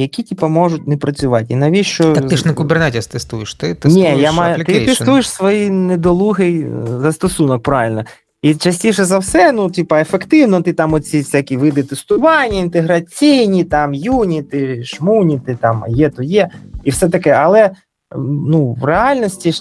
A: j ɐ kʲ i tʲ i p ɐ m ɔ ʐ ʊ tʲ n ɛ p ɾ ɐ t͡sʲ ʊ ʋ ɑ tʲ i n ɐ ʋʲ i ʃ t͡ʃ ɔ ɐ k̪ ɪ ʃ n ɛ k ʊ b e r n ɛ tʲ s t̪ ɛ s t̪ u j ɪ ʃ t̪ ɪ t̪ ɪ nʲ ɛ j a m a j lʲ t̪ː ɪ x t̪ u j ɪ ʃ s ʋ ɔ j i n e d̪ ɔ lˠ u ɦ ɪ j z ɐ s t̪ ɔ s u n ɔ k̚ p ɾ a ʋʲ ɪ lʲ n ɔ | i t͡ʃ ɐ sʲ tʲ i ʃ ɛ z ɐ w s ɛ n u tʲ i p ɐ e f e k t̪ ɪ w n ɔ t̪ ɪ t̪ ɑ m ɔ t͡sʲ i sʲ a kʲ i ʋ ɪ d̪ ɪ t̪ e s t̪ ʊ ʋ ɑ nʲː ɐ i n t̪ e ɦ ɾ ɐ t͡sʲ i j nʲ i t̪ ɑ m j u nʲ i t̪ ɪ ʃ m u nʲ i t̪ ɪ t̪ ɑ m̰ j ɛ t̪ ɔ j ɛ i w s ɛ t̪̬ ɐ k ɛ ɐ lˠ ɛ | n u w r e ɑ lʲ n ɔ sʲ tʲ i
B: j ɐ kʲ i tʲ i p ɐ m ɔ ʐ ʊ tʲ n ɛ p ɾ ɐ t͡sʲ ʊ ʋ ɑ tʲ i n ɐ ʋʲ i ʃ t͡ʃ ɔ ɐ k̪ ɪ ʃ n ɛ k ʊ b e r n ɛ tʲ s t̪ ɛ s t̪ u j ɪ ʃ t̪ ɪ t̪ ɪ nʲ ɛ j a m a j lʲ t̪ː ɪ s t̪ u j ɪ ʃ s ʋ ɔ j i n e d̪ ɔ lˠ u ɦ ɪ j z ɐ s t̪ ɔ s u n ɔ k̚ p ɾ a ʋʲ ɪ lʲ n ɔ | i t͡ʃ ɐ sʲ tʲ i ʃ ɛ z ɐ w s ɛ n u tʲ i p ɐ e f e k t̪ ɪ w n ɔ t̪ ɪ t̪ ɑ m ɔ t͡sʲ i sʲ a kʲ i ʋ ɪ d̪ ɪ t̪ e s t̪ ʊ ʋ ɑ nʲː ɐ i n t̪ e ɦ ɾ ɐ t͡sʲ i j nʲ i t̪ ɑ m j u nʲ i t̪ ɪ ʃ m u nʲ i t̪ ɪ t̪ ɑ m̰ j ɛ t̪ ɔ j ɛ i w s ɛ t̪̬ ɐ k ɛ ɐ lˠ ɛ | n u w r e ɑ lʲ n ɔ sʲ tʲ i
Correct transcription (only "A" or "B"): B